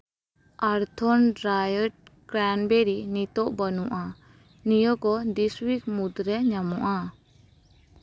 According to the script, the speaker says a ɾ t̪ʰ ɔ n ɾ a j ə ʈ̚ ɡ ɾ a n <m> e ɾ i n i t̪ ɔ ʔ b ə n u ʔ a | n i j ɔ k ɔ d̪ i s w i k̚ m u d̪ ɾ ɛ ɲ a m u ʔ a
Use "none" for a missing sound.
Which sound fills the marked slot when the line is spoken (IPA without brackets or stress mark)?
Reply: b